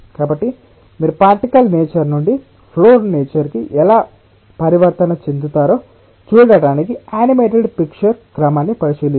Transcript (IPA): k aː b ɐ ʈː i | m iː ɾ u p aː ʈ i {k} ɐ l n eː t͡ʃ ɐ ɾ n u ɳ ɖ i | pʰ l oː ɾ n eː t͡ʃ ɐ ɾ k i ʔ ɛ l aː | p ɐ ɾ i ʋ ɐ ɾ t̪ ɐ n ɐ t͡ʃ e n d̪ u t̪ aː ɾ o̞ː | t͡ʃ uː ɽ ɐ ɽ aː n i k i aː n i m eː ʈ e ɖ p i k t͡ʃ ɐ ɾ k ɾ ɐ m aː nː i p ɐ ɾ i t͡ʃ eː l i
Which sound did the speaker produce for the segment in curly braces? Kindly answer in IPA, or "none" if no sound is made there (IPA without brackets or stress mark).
k